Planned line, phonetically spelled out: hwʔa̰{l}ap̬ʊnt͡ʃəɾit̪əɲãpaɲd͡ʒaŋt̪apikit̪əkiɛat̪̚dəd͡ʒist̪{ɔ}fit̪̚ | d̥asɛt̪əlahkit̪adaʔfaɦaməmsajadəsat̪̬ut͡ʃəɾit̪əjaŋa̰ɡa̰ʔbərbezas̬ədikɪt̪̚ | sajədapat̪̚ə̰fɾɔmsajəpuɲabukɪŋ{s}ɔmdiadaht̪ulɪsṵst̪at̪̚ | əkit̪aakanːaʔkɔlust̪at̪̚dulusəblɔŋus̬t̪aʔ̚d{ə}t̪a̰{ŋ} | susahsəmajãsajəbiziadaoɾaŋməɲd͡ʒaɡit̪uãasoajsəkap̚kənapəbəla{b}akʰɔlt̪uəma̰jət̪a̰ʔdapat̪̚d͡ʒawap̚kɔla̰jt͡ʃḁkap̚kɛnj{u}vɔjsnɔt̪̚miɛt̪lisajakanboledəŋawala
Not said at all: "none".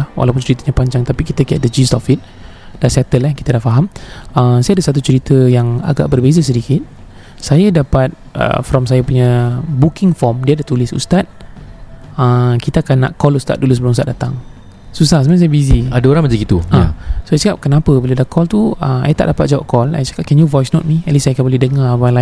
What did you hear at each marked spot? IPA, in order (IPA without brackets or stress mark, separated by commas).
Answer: l, ɔ, f, a, ŋ, d, u